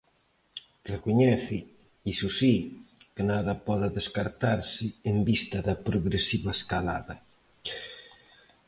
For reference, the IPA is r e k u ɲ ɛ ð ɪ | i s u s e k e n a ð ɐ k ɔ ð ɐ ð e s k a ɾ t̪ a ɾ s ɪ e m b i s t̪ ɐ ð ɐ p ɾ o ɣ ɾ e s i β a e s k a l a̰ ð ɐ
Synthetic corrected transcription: r e k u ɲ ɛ θ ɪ | i s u s i k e n a ð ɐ p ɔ ð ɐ ð e s k a ɾ t̪ a ɾ s ɪ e m b i s t̪ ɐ ð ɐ p ɾ o ɣ ɾ e s i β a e s k a l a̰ ð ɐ